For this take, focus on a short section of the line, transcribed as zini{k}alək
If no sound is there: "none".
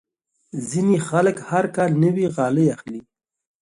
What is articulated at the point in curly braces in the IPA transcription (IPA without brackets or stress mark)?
x